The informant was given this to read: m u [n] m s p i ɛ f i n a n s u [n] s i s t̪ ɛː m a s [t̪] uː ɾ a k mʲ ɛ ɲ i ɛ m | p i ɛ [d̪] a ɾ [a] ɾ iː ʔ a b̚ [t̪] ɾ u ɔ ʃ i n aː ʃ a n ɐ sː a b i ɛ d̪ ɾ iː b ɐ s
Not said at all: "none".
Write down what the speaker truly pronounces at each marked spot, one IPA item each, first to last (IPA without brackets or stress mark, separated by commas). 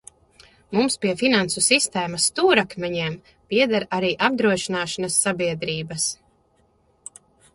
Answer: none, none, t̪, d̪, a, d̪